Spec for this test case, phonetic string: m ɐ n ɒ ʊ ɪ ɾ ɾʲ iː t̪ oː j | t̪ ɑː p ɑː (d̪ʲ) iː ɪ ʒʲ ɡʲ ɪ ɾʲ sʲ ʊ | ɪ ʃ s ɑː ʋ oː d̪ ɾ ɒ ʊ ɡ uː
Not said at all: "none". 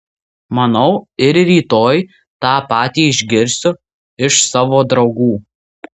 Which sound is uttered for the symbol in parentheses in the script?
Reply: t̪ʲ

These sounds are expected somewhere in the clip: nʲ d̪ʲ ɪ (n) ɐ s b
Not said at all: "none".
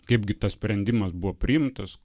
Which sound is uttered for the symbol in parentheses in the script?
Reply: m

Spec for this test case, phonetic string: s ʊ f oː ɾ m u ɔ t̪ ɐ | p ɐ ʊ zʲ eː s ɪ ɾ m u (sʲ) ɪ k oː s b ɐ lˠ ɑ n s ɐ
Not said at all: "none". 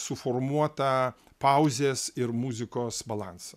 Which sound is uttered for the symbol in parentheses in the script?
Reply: zʲ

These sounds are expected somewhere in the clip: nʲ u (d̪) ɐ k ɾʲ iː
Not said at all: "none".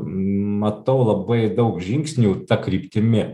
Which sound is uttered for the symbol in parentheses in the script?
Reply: t̪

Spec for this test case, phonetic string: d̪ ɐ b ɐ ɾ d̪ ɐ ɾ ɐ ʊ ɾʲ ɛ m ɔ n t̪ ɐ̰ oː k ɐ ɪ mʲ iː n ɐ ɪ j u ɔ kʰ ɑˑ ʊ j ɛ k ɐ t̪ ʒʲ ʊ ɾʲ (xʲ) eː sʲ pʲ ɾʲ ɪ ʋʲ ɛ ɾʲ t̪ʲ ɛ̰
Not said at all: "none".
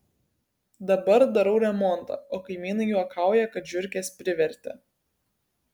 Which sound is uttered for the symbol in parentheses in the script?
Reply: kʲ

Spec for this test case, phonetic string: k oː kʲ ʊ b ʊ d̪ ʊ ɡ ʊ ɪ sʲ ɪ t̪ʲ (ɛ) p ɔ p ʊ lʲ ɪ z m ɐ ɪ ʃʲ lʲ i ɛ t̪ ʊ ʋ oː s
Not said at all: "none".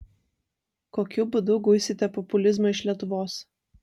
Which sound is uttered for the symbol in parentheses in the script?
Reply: ɛ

